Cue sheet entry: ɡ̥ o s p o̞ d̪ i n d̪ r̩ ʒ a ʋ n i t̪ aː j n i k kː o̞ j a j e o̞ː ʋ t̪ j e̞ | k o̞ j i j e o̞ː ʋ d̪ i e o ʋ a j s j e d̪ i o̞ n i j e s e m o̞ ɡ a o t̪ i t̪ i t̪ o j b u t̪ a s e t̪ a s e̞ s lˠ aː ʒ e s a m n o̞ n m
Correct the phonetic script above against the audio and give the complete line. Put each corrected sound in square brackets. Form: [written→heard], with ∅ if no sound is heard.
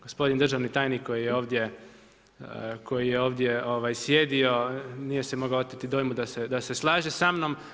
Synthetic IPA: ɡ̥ o s p o̞ d̪ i n d̪ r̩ ʒ a ʋ n i t̪ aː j n i k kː o̞ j [a→i] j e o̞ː ʋ [t̪→d̪] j e̞ | k o̞ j i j e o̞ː ʋ d̪ [i→j] e o ʋ a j s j e d̪ i o̞ n i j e s e m o̞ ɡ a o t̪ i t̪ i [t̪→d̪] o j [b→m] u [t̪→d̪] a s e [t̪→d̪] a s e̞ s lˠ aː ʒ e s a m n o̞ [n→∅] m